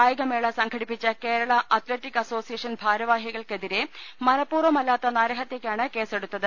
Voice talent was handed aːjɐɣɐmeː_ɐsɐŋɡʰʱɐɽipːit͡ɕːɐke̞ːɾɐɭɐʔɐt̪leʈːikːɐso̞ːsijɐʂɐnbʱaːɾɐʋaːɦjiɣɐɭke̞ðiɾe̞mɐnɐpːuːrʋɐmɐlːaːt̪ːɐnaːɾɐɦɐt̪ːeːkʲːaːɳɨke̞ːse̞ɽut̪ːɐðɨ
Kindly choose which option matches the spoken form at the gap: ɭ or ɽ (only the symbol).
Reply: ɭ